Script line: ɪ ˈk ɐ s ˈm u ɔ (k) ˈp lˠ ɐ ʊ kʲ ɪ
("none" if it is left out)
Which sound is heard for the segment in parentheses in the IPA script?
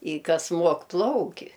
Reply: k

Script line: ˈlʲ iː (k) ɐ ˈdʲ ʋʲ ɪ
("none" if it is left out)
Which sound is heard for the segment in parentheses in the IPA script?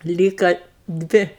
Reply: k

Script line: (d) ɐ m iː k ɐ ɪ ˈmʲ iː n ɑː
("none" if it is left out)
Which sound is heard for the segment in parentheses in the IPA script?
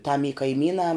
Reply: t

